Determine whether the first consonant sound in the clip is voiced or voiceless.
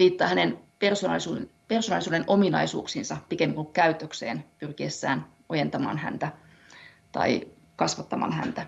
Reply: voiced